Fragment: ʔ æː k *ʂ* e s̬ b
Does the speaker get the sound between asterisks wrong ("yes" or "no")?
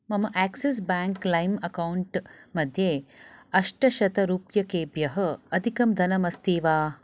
yes